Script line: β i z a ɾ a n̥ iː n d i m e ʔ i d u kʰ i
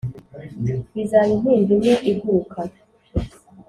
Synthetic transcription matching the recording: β i z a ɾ i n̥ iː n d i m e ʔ i ɡ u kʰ a